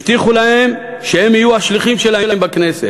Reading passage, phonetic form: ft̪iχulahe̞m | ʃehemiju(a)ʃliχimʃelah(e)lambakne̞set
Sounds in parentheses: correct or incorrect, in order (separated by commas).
correct, correct